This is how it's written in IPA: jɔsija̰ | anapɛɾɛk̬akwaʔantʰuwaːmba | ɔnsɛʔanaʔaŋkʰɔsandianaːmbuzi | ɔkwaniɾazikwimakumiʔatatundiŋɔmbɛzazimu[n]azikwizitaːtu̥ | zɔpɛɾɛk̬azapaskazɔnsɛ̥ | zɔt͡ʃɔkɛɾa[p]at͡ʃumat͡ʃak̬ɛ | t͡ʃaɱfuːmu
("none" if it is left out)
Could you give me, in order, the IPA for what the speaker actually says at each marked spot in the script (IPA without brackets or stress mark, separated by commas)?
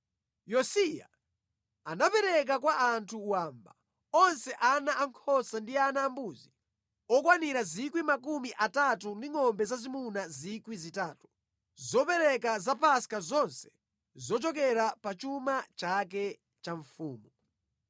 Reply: n, p